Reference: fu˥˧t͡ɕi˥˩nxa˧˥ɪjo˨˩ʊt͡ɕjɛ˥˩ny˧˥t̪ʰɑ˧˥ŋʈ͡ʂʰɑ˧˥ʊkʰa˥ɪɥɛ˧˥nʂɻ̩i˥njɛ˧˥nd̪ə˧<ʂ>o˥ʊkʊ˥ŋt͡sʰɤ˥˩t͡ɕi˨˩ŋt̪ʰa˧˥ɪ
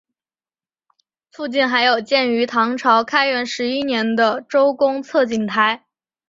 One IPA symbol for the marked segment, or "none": ʈ͡ʂ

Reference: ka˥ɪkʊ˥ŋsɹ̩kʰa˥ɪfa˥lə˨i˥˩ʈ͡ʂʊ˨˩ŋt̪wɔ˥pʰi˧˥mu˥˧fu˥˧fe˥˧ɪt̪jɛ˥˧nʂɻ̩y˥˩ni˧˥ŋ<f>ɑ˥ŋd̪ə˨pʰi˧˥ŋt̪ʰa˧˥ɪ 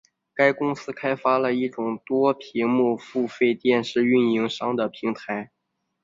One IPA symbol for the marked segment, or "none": ʂ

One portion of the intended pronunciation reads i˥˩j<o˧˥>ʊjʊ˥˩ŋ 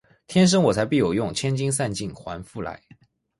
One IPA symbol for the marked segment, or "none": o˨˩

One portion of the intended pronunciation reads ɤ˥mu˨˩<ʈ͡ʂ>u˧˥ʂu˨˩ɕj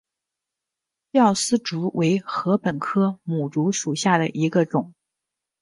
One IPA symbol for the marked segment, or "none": ʈ͡ʂ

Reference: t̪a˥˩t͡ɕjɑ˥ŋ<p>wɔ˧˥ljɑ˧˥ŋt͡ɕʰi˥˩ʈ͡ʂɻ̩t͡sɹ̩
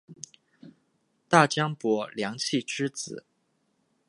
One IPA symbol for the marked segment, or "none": p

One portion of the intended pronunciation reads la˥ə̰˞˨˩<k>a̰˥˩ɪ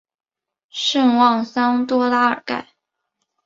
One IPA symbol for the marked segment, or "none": k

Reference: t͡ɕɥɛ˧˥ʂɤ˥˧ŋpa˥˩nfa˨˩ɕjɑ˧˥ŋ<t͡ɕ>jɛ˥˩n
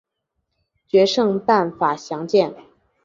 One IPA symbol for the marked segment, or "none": t͡ɕ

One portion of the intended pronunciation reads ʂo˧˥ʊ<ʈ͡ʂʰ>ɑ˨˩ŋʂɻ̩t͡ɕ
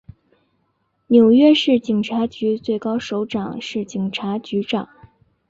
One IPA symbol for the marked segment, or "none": ʈ͡ʂ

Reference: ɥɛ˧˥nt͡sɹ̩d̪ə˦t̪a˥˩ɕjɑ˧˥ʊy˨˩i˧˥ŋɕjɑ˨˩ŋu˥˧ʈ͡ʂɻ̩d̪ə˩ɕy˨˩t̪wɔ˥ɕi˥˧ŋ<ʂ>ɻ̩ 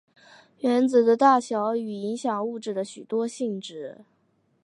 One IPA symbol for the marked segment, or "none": ʈ͡ʂ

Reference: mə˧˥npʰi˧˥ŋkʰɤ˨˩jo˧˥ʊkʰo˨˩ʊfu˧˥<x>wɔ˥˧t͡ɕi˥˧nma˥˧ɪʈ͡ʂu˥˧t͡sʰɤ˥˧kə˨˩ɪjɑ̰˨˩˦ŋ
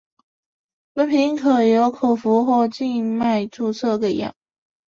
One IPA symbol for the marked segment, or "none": x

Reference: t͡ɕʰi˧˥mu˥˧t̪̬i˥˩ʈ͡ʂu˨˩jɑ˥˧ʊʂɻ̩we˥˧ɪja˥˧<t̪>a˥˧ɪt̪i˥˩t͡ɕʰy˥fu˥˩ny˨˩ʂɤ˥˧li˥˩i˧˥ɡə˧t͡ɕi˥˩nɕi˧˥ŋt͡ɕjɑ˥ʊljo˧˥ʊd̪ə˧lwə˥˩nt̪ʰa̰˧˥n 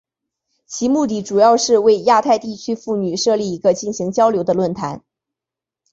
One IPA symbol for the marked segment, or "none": t̪ʰ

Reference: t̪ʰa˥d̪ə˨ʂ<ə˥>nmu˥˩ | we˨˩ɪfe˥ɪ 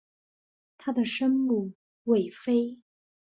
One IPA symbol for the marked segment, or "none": ə˥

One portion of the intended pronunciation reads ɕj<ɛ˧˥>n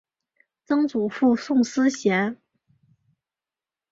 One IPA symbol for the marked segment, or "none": ɛ˧˥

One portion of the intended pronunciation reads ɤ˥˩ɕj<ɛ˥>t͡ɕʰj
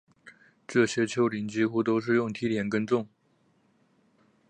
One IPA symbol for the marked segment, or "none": ɛ˥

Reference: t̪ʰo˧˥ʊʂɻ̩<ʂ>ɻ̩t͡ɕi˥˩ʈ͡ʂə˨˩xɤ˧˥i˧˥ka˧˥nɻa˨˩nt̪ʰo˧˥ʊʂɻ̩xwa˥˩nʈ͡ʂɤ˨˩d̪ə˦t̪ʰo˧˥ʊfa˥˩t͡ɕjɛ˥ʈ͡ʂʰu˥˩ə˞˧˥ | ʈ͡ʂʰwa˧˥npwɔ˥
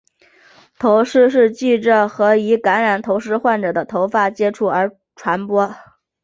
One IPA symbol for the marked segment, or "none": ʂ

